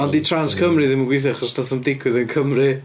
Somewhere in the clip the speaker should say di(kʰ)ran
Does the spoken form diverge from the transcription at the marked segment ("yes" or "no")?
yes